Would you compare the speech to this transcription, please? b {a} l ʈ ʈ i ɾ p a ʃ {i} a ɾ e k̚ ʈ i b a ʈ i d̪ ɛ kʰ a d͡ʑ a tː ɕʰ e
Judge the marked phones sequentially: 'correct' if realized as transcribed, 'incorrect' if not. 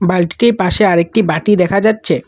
correct, incorrect: e

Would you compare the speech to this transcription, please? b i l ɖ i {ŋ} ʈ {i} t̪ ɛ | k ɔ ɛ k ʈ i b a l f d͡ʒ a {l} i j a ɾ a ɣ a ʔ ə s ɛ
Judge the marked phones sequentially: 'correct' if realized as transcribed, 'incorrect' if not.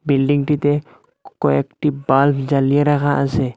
correct, correct, correct

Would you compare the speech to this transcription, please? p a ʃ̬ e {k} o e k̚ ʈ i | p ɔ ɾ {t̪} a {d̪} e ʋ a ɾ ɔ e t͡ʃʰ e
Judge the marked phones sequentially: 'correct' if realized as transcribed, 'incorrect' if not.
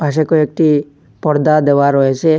correct, incorrect: d̪, correct

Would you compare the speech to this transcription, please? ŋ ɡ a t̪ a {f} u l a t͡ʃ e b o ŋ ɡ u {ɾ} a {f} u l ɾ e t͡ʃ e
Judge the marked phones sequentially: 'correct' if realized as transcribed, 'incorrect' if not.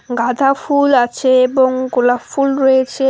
correct, incorrect: l, correct

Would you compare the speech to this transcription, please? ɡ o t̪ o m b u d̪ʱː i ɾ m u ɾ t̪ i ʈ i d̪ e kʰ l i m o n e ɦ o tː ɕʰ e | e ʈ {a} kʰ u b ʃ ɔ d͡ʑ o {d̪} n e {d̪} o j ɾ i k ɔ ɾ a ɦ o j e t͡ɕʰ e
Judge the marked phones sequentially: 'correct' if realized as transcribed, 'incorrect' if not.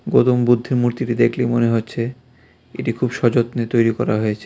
incorrect: i, incorrect: t̪, incorrect: t̪

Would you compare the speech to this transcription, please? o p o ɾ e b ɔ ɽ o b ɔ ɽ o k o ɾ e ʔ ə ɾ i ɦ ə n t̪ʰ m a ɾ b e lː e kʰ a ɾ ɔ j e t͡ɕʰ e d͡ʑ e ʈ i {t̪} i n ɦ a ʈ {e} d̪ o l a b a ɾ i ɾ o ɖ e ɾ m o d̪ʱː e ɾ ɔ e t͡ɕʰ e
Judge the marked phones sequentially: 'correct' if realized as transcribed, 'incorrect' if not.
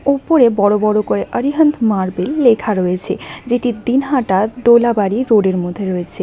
incorrect: d̪, incorrect: a

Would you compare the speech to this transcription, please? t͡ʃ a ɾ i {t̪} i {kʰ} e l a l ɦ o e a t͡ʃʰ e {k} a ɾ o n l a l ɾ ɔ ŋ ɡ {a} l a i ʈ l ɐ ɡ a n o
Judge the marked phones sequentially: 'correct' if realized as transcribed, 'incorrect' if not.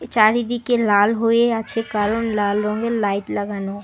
incorrect: d̪, incorrect: k, correct, incorrect: e

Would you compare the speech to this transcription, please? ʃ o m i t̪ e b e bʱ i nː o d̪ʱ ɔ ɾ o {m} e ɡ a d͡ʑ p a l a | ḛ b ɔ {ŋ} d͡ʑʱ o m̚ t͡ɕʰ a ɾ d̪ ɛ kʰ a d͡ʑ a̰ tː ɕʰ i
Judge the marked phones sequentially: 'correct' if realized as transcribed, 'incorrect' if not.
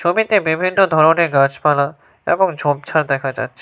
incorrect: n, correct

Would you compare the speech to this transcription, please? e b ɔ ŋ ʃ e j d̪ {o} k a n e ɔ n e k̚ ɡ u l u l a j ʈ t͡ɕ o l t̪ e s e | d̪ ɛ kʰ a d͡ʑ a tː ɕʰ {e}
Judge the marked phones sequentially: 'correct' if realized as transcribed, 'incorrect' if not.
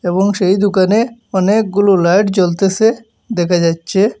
incorrect: u, correct

